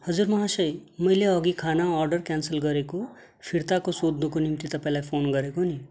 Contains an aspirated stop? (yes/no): yes